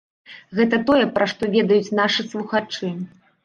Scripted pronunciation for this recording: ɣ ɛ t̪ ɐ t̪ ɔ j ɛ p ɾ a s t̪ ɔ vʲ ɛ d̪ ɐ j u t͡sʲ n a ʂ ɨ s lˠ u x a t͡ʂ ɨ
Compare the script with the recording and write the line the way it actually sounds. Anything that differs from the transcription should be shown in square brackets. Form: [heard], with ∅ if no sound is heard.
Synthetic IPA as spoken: ɣ ɛ t̪ ɐ t̪ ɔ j ɛ p ɾ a [ʂ] t̪ ɔ vʲ ɛ d̪ ɐ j u t͡sʲ n a ʂ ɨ s lˠ u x a t͡ʂ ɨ